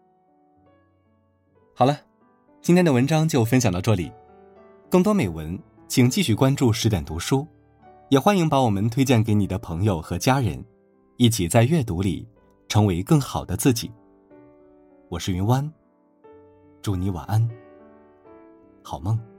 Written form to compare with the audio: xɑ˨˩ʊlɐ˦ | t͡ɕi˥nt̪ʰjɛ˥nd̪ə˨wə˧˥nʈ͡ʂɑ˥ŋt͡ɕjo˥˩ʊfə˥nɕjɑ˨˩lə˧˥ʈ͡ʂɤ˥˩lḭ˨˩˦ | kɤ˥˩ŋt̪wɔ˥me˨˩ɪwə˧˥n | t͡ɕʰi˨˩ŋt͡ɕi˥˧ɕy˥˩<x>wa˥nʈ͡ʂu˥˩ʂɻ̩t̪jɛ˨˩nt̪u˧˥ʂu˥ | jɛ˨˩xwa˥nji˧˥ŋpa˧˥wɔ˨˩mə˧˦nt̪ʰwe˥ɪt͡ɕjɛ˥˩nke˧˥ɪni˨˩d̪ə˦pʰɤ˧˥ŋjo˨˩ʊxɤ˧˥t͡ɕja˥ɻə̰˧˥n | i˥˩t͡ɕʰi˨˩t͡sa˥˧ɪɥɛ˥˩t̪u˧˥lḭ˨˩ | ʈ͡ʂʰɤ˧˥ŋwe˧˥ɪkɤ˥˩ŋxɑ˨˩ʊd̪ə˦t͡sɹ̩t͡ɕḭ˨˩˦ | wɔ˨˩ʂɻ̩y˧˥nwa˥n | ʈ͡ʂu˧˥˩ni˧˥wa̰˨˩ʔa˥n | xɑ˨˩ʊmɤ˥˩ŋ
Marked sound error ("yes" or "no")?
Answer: yes